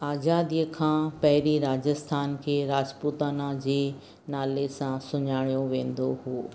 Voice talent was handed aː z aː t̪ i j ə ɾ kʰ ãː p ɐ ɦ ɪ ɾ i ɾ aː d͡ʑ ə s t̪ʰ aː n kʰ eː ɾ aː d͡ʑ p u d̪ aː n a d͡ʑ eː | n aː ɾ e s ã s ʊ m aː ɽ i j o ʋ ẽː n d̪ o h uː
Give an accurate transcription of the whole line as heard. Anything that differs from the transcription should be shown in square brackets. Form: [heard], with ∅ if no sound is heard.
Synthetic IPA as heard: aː z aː [d̪] i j ə [∅] kʰ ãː p ɐ ɦ ɪ ɾ i ɾ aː d͡ʑ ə s t̪ʰ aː n kʰ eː ɾ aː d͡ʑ p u [t̪] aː n a d͡ʑ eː | n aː [l] e s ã s ʊ [ɲ] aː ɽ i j o ʋ ẽː n d̪ o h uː